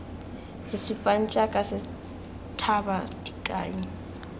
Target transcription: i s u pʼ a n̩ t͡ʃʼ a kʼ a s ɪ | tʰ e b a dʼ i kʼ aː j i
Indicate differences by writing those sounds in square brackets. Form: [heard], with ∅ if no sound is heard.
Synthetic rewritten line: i s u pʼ a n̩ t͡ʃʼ a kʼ a s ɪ | tʰ [a] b a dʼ i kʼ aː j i